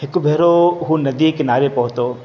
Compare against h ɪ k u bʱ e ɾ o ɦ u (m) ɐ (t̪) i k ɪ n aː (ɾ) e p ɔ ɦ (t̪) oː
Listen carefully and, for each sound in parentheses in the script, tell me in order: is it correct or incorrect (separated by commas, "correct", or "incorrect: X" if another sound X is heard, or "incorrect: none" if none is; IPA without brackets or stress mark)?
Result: incorrect: n, incorrect: d̪, correct, correct